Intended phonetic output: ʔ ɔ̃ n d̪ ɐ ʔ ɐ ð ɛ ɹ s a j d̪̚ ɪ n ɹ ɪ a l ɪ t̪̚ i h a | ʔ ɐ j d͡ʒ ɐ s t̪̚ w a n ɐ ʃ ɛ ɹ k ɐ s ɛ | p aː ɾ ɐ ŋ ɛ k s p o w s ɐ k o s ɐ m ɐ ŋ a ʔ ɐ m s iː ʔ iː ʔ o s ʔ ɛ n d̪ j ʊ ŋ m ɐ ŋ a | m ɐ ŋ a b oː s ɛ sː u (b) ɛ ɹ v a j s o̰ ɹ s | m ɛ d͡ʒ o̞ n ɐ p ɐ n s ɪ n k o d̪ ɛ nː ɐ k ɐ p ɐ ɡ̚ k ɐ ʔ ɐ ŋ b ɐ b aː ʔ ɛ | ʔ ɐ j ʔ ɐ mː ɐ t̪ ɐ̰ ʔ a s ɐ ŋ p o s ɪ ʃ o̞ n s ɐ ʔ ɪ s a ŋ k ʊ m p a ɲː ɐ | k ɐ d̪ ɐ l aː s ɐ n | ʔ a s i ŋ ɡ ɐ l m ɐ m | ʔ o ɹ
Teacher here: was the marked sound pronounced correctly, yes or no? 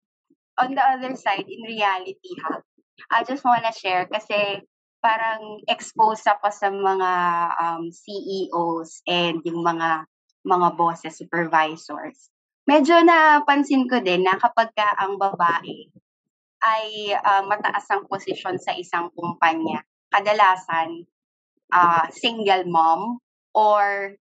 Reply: no